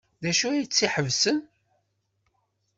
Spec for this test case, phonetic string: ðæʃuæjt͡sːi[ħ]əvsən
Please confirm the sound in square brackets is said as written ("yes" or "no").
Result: yes